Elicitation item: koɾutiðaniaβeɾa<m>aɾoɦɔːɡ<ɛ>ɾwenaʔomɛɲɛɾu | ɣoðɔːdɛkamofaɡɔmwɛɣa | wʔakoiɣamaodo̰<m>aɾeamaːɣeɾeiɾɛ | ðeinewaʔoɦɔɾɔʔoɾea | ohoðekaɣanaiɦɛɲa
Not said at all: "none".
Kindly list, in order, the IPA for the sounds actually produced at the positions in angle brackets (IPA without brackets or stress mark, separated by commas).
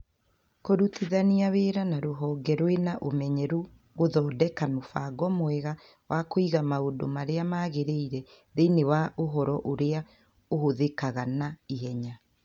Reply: n, ɛ, m